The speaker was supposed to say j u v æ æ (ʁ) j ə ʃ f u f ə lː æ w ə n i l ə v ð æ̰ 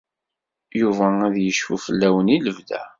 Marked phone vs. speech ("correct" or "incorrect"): incorrect